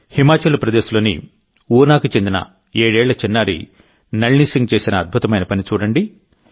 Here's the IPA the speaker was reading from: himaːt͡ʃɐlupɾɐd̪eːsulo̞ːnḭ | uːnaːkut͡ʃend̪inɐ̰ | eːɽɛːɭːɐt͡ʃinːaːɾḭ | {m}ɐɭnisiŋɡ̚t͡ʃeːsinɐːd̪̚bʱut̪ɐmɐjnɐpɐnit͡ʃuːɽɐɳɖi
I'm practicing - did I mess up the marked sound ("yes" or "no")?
yes